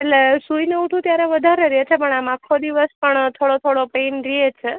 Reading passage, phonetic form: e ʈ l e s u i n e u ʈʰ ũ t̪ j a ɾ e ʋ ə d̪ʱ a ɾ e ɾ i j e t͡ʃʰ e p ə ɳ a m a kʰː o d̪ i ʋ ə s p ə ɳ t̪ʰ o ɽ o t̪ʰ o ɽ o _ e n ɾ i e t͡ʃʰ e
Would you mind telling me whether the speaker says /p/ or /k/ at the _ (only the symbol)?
p